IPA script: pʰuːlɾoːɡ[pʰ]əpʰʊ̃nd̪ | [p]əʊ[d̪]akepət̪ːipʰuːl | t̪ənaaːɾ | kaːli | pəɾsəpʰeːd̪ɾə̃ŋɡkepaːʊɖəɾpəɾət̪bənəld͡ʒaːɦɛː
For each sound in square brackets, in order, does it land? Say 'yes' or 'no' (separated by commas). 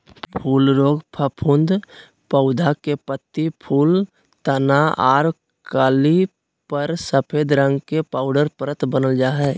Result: yes, yes, yes